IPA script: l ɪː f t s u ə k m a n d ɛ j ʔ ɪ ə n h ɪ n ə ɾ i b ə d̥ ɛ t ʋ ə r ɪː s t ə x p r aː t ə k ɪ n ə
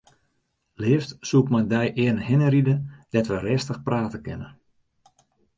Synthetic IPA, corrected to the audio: l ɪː f t s u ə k m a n d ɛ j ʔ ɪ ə n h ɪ n ə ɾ i d ə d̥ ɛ t ʋ ə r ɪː s t ə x p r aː t ə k ɪ n ə